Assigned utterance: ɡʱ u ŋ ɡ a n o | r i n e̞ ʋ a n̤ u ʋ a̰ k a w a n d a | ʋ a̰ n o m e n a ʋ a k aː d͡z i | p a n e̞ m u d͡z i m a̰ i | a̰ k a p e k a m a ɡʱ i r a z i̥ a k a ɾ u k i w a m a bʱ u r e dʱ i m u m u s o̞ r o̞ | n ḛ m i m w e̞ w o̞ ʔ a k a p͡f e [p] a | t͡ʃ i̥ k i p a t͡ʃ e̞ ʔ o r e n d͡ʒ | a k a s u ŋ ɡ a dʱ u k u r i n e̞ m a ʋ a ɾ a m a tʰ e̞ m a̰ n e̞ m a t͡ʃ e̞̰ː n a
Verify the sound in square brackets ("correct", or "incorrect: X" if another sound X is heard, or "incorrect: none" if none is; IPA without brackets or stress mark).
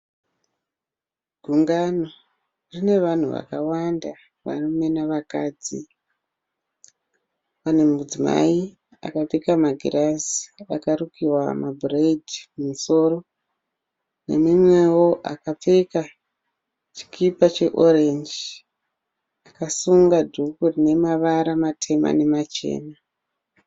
incorrect: k